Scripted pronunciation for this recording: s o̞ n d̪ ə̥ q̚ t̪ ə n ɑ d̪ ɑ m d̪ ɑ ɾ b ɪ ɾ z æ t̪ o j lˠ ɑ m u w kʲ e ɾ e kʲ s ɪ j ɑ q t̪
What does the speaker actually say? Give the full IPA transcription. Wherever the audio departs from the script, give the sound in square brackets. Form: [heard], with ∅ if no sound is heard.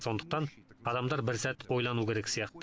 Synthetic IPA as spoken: s o̞ n d̪ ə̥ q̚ t̪ [ɑ] n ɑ d̪ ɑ m d̪ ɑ ɾ b ɪ ɾ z æ t̪ o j lˠ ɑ [n] u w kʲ e ɾ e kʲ s [i] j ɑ q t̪

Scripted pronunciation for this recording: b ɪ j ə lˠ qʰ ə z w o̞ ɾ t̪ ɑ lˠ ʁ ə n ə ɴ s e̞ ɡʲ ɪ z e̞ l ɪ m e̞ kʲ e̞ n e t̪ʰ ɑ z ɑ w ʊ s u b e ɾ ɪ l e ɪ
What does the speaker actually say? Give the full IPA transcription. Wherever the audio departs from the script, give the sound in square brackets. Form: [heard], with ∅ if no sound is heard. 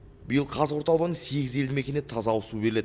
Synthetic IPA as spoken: b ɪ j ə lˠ qʰ [ɑ] z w o̞ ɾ t̪ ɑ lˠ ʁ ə n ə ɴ s e̞ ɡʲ ɪ z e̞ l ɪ m e̞ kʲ e̞ n e t̪ʰ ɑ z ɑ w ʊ s u b e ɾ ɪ l e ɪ

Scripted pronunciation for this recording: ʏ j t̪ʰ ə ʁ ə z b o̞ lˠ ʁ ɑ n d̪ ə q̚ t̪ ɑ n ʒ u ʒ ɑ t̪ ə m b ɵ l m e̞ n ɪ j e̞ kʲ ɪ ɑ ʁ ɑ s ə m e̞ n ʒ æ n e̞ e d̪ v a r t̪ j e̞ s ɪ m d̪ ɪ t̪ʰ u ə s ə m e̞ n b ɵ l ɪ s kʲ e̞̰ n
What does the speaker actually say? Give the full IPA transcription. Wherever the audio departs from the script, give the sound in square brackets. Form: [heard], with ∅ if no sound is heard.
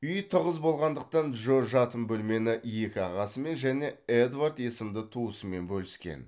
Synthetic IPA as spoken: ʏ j t̪ʰ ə ʁ ə z b o̞ lˠ ʁ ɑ n d̪ ə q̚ t̪ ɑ n ʒ [o] ʒ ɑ t̪ ə m b ɵ l m e̞ n ɪ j e̞ kʲ ɪ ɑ ʁ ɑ s ə m e̞ n ʒ æ n e̞ e d̪ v a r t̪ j e̞ s ɪ m d̪ ɪ t̪ʰ u ə s ə m e̞ n b ɵ l ɪ s kʲ e̞̰ n

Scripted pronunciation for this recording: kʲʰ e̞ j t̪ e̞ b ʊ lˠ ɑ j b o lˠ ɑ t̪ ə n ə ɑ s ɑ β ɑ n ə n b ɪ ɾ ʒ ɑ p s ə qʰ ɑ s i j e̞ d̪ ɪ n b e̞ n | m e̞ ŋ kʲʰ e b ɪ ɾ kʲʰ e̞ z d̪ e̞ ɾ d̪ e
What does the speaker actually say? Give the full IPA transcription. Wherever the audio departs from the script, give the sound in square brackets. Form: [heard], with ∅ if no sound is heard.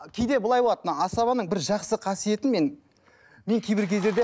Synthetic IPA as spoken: kʲʰ e̞ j [d̪] e̞ b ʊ lˠ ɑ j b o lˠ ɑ t̪ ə n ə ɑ s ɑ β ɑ n ə [ɴ] b ɪ ɾ ʒ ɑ [q] s ə qʰ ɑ s i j e̞ [t̪] ɪ n [m] e̞ n | m e̞ ŋ kʲʰ e b ɪ ɾ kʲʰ e̞ z d̪ e̞ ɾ d̪ e

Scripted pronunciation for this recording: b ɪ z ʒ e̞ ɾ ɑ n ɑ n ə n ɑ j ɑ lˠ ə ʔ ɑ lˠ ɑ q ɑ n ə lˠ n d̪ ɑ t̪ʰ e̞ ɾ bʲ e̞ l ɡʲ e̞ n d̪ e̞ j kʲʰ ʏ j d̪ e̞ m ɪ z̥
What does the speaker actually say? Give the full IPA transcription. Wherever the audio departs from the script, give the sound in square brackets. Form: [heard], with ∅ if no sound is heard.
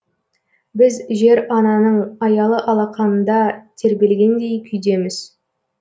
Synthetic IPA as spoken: b ɪ z ʒ e̞ ɾ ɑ n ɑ n ə [ɴ] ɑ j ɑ lˠ ə ʔ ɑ lˠ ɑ q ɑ n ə [∅] n d̪ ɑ t̪ʰ e̞ ɾ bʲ e̞ l ɡʲ e̞ n d̪ e̞ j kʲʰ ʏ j d̪ e̞ m ɪ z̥

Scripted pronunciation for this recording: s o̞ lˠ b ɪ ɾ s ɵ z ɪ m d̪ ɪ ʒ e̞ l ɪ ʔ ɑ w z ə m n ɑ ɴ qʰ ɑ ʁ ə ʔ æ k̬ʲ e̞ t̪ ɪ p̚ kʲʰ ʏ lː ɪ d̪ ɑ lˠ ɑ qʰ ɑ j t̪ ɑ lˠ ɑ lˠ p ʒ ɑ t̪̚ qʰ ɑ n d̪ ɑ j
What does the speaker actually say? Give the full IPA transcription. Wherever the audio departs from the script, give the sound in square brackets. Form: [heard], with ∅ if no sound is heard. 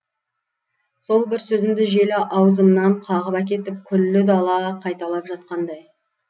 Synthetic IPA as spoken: s o̞ lˠ b ɪ ɾ s ɵ z ɪ m d̪ ɪ ʒ e̞ l ɪ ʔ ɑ w z ə m n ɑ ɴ qʰ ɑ ʁ ə [p] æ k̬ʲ e̞ t̪ ɪ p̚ kʲʰ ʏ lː ɪ d̪ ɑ lˠ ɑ qʰ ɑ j t̪ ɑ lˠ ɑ [∅] p ʒ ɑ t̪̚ [q] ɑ n d̪ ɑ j

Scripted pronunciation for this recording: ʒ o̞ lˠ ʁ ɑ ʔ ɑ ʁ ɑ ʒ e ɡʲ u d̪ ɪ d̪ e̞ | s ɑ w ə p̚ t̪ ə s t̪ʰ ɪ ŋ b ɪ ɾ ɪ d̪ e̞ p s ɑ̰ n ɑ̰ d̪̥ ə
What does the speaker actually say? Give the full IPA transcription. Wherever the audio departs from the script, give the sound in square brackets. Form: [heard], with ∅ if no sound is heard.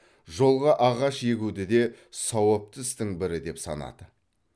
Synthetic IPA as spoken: ʒ o̞ lˠ ʁ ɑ ʔ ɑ ʁ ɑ [ʃ] e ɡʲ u d̪ ɪ d̪ e̞ | s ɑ w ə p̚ t̪ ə s [t̪] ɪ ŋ b ɪ ɾ ɪ d̪ e̞ p s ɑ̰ n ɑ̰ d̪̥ ə

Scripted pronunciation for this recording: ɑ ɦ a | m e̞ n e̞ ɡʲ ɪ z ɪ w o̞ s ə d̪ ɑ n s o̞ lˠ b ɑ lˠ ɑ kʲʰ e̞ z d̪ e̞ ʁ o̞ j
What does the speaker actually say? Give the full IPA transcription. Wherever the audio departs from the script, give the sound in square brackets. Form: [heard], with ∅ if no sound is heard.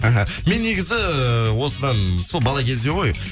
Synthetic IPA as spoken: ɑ ɦ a | m e̞ [nː] e̞ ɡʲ ɪ z ɪ w o̞ s ə d̪ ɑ n s o̞ lˠ b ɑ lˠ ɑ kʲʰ e̞ z d̪ e̞ ʁ o̞ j

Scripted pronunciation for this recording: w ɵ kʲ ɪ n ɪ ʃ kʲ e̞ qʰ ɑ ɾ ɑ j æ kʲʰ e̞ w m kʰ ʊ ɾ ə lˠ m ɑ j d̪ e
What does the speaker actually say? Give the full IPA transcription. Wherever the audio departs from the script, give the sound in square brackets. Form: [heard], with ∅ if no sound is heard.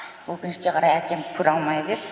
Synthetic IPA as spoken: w ɵ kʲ ɪ n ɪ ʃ kʲ e̞ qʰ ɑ ɾ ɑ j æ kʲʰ e̞ [∅] m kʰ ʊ ɾ [ɑ] lˠ m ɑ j d̪ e

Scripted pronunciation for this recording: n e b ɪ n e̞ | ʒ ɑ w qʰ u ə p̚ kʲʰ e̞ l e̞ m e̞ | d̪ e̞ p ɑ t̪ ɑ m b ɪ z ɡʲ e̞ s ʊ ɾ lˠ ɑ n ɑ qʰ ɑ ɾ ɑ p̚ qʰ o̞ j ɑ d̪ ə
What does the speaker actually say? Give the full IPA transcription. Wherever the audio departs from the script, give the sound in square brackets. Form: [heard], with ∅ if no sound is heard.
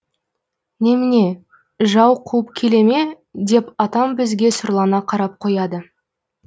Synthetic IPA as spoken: n e [m] ɪ n e̞ | ʒ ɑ w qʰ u ə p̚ kʲʰ e̞ l e̞ m e̞ | d̪ e̞ p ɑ t̪ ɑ m b ɪ z ɡʲ e̞ s ʊ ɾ lˠ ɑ n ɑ qʰ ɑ ɾ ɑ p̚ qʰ o̞ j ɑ d̪ ə

